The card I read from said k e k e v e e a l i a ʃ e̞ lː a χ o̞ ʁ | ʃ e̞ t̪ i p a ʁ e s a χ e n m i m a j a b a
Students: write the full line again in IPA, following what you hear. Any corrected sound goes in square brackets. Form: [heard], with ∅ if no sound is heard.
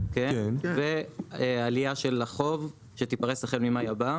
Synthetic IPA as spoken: k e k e v e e a l i a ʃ e̞ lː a χ o̞ [v] | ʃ e̞ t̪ i p a ʁ e s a χ e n m i m a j a b a